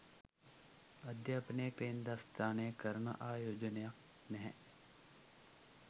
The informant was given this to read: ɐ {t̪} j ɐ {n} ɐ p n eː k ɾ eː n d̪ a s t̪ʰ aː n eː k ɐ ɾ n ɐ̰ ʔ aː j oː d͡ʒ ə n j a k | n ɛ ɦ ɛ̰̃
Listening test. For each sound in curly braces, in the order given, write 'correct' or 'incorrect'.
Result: incorrect: d̪, incorrect: none

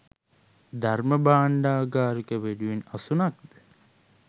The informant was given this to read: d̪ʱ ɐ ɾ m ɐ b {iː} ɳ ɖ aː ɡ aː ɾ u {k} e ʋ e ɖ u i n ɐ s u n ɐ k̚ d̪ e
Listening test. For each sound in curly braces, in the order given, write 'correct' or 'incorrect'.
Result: incorrect: aː, correct

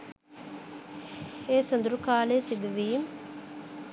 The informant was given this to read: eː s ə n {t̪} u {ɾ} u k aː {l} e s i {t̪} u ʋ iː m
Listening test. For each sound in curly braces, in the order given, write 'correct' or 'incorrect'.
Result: incorrect: d̪, correct, correct, incorrect: d̪

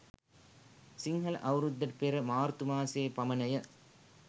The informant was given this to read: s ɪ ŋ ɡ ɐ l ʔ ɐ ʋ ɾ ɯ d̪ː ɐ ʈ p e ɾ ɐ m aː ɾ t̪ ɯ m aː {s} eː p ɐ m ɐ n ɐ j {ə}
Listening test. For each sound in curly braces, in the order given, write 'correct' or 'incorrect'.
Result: correct, incorrect: ɐ

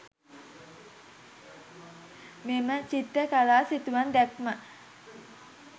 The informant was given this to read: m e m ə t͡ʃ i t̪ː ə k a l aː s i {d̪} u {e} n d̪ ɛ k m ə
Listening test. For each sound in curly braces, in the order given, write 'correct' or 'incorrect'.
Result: incorrect: t̪, incorrect: a

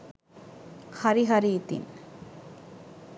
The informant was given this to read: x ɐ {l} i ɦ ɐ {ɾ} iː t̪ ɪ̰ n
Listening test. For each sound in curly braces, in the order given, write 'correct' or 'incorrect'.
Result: incorrect: ɾ, correct

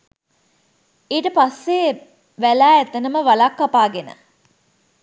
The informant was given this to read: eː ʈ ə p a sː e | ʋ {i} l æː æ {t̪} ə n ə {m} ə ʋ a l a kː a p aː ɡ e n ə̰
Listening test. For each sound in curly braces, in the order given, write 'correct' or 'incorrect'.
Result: incorrect: æ, correct, correct

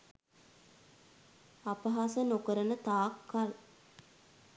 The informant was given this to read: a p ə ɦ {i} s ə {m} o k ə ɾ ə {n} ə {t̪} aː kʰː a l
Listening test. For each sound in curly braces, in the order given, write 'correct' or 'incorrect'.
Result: incorrect: a, incorrect: n, correct, correct

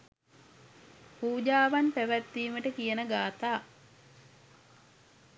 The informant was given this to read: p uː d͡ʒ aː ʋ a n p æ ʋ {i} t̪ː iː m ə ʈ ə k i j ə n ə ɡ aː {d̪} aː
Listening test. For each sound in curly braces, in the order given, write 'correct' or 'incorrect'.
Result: incorrect: æ, incorrect: t̪

